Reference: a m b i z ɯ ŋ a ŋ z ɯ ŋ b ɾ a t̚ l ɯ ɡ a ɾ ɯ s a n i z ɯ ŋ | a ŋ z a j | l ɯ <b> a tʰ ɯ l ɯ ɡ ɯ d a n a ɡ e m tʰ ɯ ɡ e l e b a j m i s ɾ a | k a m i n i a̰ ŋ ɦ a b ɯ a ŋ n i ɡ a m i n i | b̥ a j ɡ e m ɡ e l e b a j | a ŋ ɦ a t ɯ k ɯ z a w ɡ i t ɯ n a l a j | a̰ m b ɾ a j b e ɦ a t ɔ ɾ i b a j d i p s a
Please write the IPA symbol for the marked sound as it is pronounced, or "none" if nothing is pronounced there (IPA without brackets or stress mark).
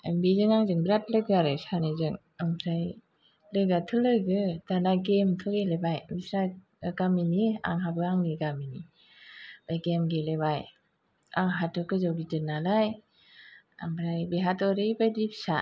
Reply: ɡ